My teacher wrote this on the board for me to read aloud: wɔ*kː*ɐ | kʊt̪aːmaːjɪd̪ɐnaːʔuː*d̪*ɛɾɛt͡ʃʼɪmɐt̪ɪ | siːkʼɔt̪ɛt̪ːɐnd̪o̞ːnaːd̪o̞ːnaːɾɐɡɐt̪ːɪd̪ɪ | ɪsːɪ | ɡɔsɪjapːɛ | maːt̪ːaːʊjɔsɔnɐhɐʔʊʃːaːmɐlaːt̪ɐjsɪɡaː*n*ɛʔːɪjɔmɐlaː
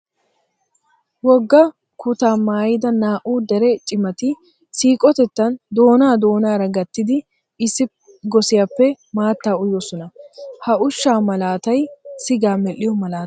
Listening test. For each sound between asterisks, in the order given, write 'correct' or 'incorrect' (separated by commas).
incorrect, correct, incorrect